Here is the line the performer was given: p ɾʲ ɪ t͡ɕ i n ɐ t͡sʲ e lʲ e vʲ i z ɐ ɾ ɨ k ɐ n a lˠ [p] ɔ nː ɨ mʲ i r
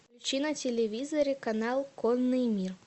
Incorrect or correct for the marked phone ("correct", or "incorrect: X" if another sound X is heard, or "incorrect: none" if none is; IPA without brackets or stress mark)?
incorrect: k